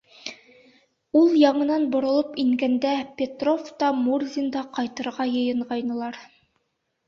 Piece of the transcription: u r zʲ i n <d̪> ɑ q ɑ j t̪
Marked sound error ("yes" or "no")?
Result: no